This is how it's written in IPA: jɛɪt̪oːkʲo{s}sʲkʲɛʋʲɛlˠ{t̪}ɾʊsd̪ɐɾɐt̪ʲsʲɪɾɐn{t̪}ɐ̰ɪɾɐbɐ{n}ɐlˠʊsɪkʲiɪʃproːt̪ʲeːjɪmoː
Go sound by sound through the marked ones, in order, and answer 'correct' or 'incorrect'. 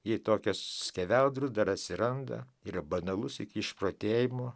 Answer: correct, incorrect, incorrect, correct

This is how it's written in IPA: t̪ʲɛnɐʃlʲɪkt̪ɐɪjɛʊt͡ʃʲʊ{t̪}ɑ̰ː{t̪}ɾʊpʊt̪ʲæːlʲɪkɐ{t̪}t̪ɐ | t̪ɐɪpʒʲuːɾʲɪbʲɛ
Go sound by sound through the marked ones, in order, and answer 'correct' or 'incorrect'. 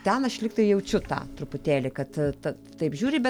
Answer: correct, correct, correct

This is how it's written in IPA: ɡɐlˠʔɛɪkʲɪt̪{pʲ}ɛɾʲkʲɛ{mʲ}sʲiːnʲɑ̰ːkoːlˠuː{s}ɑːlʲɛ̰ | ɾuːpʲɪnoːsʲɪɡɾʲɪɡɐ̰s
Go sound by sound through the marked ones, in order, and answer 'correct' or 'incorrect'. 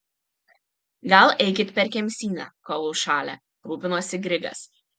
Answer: correct, correct, incorrect

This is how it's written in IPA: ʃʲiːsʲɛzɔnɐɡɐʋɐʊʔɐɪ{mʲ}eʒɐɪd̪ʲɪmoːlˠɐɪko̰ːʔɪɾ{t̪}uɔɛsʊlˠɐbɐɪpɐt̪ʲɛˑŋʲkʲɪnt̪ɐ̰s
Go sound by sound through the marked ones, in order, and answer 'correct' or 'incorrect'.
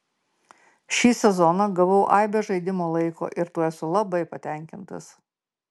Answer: incorrect, correct

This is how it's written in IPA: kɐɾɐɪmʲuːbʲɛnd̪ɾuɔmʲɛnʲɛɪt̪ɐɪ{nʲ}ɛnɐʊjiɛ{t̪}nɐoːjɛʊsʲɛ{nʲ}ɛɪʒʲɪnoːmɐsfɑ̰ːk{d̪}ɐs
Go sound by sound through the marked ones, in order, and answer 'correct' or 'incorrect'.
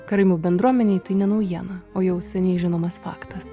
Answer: correct, incorrect, correct, incorrect

